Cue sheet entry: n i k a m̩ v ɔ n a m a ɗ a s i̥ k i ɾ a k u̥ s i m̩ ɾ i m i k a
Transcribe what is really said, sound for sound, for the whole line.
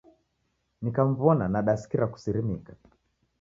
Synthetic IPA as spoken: n i k a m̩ v ɔ n a n a ɗ a s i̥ k i ɾ a k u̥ s i ɾ i m i k a